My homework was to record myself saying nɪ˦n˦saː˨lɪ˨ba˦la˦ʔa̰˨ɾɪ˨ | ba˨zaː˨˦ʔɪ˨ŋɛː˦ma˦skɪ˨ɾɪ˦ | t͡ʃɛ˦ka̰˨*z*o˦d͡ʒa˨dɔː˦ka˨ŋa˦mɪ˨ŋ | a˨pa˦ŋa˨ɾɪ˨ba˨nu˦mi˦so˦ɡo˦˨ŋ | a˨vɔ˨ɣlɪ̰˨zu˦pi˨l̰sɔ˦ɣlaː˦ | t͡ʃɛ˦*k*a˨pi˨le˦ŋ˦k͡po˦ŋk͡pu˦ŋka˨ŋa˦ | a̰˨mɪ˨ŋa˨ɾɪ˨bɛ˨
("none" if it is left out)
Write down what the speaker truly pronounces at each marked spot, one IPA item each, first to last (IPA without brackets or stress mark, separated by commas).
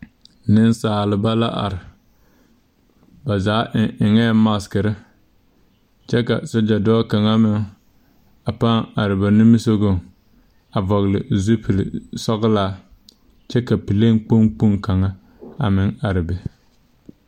s, k